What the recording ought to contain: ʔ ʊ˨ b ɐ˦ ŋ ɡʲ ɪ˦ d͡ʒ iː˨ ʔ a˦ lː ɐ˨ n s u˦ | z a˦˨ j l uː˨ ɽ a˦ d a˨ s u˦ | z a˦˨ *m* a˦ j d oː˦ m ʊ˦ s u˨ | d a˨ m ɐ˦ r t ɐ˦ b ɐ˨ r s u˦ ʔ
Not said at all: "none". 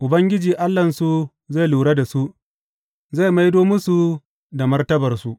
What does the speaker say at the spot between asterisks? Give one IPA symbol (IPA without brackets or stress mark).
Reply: m